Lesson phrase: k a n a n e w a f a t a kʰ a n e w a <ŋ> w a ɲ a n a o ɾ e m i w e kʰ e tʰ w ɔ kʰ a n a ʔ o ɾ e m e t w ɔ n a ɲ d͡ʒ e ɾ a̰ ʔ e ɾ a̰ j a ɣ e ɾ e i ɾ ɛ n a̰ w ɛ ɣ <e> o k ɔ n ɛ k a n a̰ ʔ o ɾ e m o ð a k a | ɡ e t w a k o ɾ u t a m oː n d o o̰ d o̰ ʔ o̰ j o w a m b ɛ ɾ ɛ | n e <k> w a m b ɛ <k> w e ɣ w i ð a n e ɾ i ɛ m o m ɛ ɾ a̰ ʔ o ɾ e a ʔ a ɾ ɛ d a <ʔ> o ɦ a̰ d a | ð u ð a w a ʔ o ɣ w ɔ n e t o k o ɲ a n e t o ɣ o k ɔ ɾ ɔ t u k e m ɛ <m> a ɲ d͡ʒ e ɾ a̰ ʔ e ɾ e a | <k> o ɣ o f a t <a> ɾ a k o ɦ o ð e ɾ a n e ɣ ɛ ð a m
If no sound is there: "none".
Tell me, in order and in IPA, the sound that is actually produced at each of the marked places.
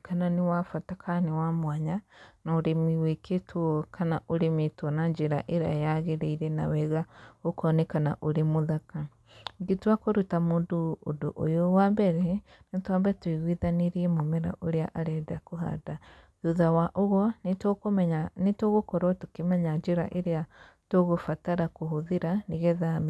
m, a, t, t, k, ɲ, t, a

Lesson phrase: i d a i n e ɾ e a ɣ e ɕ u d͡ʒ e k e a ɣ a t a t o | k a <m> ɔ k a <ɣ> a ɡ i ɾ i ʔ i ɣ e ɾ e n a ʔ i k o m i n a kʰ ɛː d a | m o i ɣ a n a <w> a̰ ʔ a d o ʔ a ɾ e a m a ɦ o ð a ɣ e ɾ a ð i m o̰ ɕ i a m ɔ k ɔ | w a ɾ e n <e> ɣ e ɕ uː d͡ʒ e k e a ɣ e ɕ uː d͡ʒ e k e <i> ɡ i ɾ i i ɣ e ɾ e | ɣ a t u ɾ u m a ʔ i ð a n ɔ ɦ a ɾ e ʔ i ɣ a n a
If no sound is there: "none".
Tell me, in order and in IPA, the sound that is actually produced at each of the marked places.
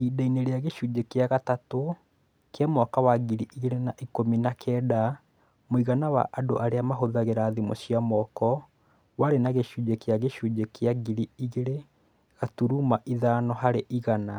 m, w, w, a, a

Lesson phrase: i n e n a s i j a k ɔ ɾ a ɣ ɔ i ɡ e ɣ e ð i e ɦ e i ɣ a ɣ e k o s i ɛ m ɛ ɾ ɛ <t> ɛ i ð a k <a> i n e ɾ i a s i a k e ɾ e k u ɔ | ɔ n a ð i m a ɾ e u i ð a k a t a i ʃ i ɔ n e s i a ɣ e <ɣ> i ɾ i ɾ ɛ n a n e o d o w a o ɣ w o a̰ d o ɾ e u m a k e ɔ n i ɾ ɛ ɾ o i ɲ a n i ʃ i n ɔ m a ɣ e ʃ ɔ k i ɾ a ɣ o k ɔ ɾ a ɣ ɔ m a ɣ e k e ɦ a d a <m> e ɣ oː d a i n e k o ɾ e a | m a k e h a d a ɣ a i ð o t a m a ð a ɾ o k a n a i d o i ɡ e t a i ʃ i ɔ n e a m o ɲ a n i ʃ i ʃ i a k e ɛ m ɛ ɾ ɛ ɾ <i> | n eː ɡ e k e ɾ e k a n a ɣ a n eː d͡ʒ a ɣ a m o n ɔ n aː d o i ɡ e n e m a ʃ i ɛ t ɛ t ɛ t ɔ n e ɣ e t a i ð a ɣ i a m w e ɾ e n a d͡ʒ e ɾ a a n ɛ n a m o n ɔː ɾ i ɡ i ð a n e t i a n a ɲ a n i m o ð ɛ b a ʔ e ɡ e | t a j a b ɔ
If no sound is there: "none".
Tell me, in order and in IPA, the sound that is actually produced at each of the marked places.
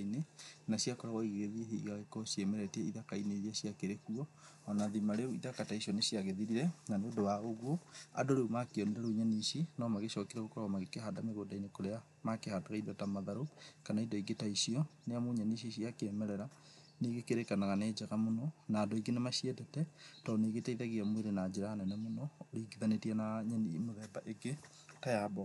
t, a, ð, m, a

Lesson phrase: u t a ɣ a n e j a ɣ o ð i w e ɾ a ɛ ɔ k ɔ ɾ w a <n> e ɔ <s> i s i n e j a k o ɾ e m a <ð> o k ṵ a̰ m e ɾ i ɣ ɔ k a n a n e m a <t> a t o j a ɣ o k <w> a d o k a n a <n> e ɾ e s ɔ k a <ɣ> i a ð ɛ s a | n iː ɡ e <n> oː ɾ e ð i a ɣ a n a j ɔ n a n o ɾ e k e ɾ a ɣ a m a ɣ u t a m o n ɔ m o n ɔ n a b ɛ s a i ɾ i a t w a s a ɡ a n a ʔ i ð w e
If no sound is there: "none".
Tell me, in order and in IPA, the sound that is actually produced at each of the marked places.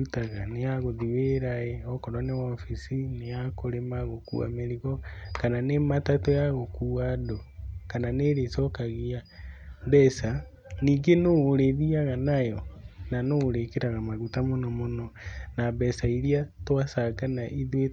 n, f, ɣ, t, u, n, ɣ, n

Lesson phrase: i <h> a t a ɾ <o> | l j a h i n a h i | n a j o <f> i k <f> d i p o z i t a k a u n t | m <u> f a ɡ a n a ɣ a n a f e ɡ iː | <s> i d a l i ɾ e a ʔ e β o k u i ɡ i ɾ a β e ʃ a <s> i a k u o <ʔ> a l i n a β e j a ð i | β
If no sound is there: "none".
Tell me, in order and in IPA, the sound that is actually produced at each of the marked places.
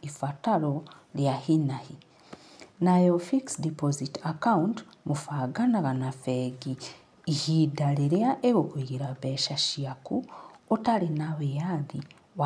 f, o, f, s, u, h, ʃ, t

